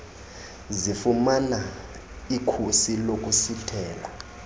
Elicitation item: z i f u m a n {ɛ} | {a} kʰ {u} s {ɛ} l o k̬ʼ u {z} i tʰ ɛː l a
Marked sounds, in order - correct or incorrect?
incorrect: a, incorrect: i, correct, incorrect: i, incorrect: s

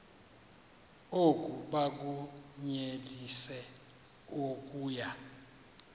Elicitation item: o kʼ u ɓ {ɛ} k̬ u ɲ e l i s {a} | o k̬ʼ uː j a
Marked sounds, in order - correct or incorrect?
incorrect: a, incorrect: ɛ

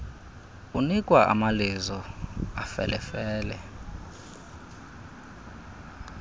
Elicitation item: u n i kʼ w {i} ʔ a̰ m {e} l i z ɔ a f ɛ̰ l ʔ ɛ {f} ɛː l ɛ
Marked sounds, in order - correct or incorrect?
incorrect: a, incorrect: a, correct

